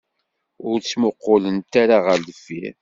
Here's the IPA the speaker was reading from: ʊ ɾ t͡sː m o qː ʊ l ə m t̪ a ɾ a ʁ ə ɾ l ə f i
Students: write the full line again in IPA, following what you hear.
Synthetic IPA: ʊ ɾ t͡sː m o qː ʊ l ə n t̪ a ɾ a ʁ ə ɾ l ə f i